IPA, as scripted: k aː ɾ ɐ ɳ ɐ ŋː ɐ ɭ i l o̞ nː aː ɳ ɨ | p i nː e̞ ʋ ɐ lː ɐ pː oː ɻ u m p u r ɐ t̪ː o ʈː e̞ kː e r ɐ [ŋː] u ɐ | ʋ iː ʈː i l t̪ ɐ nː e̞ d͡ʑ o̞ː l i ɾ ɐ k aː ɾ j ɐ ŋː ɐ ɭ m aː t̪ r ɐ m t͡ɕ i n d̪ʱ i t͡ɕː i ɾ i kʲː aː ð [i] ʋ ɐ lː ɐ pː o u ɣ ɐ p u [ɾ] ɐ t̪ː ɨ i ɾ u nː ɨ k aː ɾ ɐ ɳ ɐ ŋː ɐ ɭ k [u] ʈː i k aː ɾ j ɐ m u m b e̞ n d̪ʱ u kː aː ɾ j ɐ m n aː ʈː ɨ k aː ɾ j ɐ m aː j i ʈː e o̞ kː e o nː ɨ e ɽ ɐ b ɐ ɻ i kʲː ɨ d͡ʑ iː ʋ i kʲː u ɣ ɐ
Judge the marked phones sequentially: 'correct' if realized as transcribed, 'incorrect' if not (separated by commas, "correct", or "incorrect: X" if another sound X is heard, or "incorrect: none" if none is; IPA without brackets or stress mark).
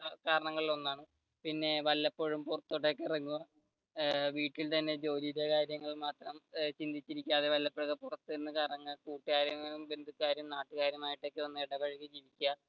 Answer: correct, incorrect: e, incorrect: r, incorrect: uː